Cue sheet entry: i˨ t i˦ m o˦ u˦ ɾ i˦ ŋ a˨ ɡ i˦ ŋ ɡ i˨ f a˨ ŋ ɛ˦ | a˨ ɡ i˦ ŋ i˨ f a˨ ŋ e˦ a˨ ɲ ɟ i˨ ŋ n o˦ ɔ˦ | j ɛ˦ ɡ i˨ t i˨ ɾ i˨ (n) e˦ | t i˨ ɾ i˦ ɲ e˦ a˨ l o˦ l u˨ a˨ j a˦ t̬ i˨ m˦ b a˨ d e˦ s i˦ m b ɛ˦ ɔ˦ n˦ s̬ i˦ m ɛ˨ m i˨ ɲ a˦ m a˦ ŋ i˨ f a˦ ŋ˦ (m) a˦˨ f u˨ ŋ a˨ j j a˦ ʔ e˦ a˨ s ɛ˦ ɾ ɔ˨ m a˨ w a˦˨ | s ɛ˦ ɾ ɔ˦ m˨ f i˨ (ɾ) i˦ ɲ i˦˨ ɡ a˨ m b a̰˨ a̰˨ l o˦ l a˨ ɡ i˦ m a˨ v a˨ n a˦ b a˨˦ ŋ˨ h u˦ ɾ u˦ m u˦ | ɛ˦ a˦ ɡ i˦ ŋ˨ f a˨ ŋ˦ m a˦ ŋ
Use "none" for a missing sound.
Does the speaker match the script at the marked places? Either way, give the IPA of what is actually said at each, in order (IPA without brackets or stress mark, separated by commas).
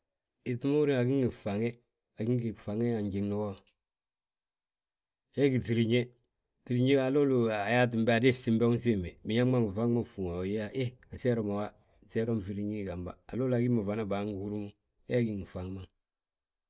ɲ, m, ɾ